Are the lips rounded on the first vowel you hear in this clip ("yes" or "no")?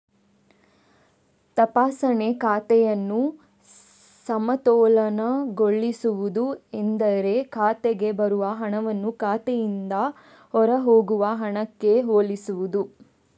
no